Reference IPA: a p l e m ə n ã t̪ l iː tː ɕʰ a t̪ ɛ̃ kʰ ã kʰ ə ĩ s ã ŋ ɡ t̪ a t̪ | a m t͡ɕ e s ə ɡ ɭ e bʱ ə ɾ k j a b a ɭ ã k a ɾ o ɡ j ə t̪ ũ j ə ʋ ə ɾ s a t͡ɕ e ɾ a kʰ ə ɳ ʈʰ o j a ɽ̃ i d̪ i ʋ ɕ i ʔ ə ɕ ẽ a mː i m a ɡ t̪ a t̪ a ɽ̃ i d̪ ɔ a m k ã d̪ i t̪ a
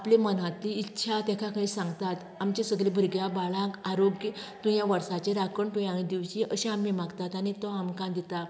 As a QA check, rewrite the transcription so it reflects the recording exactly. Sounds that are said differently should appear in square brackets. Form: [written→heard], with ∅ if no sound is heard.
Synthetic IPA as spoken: a p l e m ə n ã t̪ l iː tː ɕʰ a t̪ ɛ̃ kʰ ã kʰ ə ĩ s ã ŋ ɡ t̪ a t̪ | a m t͡ɕ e s ə ɡ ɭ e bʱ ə ɾ [k→ɡ] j a b a ɭ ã k a ɾ o ɡ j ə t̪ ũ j [ə→a] ʋ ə ɾ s a t͡ɕ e ɾ a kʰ ə ɳ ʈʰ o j a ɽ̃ i d̪ i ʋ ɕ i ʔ ə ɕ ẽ a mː i m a ɡ t̪ a t̪ a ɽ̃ i [d̪→t̪] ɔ a m k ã d̪ i t̪ a